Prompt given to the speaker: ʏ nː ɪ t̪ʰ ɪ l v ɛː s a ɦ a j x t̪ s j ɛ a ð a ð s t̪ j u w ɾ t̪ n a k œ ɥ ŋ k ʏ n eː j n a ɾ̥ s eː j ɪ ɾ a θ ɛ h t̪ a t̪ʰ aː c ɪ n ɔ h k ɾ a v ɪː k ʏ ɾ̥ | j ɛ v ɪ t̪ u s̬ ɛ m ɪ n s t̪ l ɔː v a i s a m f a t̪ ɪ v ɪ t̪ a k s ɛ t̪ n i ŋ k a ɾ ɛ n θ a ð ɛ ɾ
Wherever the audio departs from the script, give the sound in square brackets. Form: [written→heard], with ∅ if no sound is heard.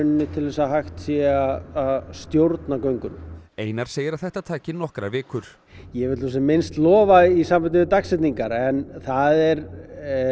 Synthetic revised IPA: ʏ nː ɪ t̪ʰ ɪ l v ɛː s a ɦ a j x t̪ s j ɛ a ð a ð s t̪ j [u→o] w ɾ t̪ n a k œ ɥ ŋ k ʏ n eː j n a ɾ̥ s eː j ɪ ɾ a θ ɛ h t̪ a t̪ʰ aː c ɪ n ɔ h k ɾ a v ɪː k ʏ ɾ̥ | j ɛ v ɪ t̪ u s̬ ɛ m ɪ n s t̪ l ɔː v a i s a m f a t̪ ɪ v ɪ t̪ a k s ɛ t̪ n i ŋ k a ɾ ɛ n θ a ð ɛ ɾ